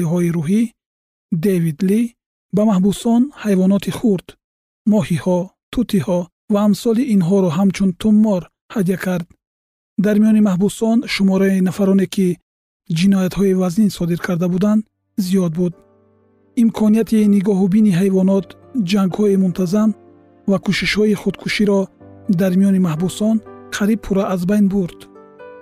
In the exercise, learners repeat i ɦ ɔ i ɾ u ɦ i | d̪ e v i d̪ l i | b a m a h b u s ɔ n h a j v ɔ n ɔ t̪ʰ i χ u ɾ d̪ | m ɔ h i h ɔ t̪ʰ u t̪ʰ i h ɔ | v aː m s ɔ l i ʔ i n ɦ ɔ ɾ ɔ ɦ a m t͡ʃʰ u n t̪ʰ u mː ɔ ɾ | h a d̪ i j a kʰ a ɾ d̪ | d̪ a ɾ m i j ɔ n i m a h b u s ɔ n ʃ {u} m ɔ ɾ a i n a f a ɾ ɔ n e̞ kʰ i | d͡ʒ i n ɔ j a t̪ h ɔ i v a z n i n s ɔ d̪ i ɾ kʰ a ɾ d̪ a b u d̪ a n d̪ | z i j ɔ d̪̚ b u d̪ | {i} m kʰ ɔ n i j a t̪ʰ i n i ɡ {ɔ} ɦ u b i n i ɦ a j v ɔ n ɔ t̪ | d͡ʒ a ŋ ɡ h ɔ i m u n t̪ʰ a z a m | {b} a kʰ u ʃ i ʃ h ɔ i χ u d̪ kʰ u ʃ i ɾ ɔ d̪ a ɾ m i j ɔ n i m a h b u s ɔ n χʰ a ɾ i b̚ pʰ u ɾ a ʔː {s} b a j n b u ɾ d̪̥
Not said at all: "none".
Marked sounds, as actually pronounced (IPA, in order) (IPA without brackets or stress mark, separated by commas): u, i, ɔ, v, z